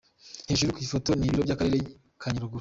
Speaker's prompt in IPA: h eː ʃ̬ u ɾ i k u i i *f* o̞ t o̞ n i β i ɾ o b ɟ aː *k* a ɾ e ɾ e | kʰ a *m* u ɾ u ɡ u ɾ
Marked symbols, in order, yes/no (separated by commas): yes, yes, no